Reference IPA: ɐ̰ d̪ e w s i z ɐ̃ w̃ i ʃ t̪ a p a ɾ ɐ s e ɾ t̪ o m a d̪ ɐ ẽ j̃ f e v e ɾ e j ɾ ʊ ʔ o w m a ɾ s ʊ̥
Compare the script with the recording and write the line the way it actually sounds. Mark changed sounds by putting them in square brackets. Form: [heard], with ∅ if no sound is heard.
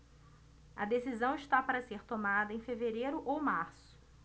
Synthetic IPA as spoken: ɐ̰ d̪ e [∅] s i z ɐ̃ w̃ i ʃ t̪ a p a ɾ ɐ s e ɾ t̪ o m a d̪ ɐ ẽ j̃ f e v e ɾ e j ɾ ʊ ʔ o w m a ɾ s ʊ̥